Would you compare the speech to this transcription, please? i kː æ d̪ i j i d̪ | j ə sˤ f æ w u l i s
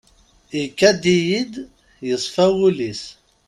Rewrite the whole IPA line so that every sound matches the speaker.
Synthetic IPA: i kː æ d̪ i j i d̪ | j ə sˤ f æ w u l i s

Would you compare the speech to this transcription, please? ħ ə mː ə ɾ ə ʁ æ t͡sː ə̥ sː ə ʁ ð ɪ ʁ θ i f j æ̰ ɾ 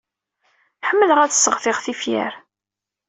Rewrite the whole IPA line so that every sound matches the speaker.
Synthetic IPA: ħ ə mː ə l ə ʁ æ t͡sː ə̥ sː ə ʁ θ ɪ ʁ θ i f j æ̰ ɾ

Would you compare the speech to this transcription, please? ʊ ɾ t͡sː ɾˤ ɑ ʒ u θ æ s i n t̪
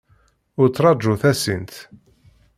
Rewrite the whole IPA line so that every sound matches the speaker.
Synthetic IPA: ʊ ɾ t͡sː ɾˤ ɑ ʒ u θ æ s i n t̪

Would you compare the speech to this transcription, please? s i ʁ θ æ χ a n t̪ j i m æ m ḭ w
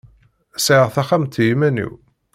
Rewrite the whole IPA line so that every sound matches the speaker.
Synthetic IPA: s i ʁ θ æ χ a m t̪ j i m æ n ḭ w

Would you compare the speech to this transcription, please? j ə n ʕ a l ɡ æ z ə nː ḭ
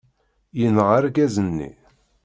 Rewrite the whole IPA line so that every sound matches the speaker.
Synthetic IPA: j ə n ʁ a ɾ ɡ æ z ə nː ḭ

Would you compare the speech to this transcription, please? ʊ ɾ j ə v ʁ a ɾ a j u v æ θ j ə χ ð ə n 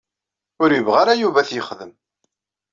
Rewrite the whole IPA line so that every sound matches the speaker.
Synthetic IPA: ʊ ɾ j ə v ʁ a ɾ a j u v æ θ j ə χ ð ə m

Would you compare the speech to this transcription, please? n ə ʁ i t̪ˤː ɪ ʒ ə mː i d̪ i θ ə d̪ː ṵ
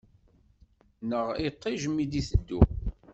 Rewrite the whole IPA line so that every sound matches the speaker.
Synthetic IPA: n ə ʁ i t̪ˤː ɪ ʒ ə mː i d̪ i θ ə d̪ː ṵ

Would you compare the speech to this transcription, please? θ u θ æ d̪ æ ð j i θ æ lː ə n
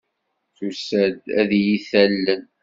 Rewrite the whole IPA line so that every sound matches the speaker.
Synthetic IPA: θ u s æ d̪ æ ð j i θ æ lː ə n

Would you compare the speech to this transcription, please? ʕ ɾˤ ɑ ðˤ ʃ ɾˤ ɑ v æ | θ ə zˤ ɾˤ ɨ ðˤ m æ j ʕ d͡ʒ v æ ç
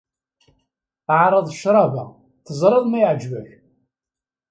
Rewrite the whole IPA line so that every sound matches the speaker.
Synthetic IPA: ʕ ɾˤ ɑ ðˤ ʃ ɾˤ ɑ v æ | θ ə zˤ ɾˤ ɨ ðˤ m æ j ʕ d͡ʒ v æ ç

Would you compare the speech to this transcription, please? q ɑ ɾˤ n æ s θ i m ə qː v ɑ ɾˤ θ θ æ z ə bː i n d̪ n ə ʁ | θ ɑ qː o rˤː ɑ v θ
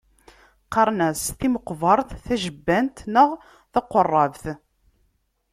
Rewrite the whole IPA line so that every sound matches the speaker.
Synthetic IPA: q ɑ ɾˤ n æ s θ i m ə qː v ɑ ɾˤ θ θ æ ʒ ə bː æ n t̪ n ə ʁ | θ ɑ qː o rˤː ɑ v θ

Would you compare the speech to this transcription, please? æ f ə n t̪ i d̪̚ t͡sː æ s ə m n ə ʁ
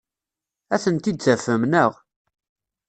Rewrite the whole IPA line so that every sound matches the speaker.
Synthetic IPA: æ θ ə n t̪ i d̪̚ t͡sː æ f ə m n ə ʁ

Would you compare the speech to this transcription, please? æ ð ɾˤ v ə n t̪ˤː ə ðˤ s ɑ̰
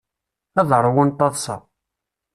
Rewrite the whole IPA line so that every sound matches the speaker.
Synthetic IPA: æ ð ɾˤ w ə n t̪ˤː ɑ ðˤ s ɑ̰

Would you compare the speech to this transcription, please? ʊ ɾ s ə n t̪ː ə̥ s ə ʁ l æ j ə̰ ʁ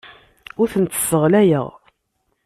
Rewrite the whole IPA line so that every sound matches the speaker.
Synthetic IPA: ʊ ɾ θ ə n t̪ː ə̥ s ə ʁ l æ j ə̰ ʁ

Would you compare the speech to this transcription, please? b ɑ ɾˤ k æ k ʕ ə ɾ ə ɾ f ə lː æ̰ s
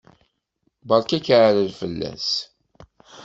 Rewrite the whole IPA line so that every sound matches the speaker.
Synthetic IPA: b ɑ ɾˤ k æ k ʕ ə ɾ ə l f ə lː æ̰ s

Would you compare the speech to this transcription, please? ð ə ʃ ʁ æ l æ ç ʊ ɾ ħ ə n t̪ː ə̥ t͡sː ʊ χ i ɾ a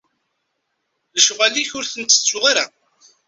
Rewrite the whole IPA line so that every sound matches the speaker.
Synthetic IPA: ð ə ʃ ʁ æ l i ç ʊ ɾ θ ə n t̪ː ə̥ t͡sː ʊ ʁ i ɾ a

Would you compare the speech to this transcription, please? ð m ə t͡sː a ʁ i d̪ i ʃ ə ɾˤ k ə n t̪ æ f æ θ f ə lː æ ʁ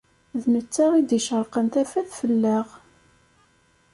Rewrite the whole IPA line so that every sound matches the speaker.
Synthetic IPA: ð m ə t͡sː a ʁ i d̪ i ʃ ə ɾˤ q ə n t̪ æ f æ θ f ə lː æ ʁ

